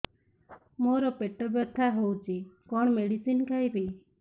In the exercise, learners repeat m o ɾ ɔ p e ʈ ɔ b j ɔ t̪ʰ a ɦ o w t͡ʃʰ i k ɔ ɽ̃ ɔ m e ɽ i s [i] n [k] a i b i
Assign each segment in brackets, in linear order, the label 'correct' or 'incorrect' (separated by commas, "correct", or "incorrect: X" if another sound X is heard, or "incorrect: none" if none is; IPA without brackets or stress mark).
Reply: correct, correct